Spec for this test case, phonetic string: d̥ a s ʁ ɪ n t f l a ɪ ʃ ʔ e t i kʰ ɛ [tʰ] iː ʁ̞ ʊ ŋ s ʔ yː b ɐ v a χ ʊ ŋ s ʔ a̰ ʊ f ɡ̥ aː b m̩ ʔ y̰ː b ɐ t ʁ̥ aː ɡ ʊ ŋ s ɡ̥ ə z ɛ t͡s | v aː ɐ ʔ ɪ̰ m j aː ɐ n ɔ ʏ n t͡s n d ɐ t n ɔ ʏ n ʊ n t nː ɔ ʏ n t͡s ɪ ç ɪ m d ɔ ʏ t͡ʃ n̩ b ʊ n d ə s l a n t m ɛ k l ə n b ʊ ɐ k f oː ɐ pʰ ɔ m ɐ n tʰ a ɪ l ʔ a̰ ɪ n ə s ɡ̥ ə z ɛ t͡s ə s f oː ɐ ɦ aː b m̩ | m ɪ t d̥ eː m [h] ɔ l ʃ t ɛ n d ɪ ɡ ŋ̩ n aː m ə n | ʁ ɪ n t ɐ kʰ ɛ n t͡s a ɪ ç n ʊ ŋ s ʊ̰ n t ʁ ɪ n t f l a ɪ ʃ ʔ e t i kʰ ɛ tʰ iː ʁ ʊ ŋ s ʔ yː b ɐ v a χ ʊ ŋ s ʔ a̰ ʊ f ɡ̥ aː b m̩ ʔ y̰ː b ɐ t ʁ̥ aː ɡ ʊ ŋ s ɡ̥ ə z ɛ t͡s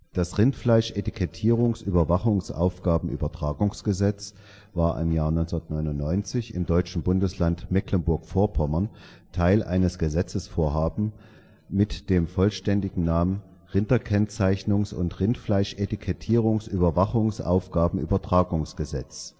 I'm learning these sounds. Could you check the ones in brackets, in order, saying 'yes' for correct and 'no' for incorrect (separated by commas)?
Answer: yes, no